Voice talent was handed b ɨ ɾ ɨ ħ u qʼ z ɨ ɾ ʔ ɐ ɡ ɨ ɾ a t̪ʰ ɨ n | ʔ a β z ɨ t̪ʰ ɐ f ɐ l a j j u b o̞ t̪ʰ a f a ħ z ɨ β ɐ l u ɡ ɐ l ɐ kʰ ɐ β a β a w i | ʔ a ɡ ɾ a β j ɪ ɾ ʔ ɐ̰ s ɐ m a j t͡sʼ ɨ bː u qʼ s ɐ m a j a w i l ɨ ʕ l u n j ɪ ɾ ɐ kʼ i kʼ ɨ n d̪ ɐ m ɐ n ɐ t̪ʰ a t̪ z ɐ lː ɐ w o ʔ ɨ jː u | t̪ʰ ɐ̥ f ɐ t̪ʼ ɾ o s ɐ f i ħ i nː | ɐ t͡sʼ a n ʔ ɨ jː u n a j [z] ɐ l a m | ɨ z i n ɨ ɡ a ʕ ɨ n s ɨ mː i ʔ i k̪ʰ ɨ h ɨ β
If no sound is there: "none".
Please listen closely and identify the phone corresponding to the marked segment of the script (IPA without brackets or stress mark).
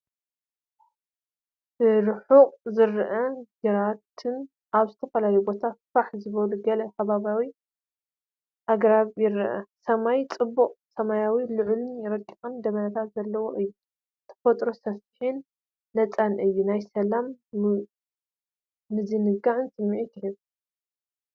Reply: s